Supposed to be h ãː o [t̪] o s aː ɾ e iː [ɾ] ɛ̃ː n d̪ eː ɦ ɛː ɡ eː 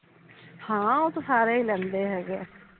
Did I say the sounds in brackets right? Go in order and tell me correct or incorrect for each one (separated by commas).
correct, incorrect